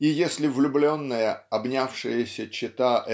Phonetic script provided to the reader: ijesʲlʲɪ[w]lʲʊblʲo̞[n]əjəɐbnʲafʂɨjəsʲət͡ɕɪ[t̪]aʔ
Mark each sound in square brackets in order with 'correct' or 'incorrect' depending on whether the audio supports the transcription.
incorrect: v, incorrect: nː, correct

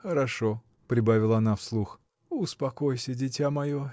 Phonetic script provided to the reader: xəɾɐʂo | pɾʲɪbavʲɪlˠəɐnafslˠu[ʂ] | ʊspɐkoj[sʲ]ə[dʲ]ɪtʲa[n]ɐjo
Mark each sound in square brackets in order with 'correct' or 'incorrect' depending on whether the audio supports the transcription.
incorrect: x, correct, correct, incorrect: m

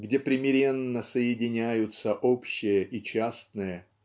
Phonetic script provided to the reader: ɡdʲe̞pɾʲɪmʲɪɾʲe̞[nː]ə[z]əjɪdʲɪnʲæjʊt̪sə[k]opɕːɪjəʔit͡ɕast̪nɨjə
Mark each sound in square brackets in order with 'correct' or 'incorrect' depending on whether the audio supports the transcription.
correct, incorrect: s, incorrect: ʔ

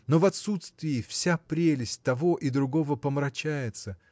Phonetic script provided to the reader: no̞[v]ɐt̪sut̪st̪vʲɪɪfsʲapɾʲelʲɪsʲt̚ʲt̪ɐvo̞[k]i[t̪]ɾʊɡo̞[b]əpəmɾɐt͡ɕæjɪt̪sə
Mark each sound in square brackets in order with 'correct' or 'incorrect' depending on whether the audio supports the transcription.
correct, incorrect: ʔ, incorrect: d̪, incorrect: v

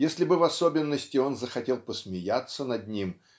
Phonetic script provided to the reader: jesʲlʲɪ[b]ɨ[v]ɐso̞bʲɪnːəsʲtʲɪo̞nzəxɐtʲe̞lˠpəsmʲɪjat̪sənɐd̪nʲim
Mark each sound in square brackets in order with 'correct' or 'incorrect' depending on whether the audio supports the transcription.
correct, correct

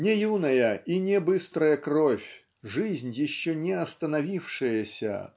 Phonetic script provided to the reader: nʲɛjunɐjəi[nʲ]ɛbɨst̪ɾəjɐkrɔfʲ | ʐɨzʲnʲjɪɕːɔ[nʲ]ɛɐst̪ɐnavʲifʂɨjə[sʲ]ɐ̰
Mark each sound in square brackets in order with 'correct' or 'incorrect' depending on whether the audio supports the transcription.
correct, correct, correct

